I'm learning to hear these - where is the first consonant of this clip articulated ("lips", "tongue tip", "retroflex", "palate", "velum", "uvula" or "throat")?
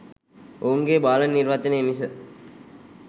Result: velum